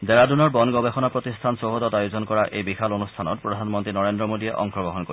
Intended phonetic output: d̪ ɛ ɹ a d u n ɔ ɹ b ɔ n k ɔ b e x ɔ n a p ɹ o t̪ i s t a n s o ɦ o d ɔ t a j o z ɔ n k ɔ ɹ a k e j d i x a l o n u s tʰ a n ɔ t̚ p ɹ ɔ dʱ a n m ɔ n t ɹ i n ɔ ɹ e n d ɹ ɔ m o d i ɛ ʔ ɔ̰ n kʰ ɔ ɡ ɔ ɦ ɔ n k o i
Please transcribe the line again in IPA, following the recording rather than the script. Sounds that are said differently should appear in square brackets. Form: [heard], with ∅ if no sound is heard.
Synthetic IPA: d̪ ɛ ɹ a d u n ɔ ɹ b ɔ n [ɡ] ɔ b e x ɔ n a p ɹ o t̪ i s [tʰ] a n s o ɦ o d ɔ t a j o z ɔ n k ɔ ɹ a [ʔ] e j [b] i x a l o n u s tʰ a n ɔ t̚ p ɹ ɔ dʱ a n m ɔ n t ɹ i n ɔ ɹ e n d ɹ ɔ m o d i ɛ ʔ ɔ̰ [ŋ] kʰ ɔ ɡ ɔ ɦ ɔ n k o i